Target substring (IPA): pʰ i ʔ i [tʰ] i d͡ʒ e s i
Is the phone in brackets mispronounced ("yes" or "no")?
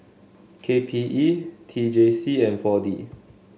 no